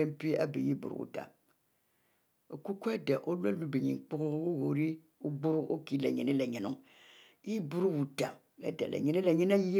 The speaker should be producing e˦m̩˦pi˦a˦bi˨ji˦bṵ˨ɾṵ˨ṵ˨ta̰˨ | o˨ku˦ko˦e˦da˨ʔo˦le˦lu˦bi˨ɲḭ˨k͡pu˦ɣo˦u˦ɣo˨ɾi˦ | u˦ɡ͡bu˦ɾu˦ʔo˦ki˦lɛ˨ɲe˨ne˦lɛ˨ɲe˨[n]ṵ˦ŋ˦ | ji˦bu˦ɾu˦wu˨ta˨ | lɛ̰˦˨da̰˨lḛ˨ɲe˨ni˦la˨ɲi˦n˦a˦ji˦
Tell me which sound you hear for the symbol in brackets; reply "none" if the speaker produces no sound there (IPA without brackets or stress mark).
n